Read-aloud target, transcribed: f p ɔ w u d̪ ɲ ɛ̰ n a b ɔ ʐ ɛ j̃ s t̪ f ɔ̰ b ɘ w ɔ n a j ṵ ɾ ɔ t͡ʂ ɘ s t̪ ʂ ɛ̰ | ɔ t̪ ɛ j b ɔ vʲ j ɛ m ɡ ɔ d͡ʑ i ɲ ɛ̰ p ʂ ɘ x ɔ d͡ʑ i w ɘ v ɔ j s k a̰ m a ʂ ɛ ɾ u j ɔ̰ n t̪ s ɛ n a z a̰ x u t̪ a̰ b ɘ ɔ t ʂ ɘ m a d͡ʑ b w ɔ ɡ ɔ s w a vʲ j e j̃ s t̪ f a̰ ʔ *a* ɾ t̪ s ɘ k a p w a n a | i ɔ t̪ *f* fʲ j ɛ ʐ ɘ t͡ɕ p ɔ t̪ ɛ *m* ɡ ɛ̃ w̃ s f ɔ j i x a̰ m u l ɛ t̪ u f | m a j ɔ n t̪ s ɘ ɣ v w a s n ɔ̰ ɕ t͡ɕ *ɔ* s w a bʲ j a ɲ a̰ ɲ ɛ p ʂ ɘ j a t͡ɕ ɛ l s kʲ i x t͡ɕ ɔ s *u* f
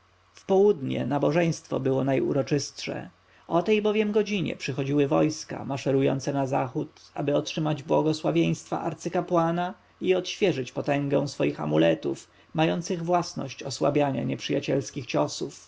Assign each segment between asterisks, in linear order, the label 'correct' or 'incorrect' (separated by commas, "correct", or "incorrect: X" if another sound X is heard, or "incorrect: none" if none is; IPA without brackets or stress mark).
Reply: correct, incorrect: ɕ, incorrect: ŋ, correct, correct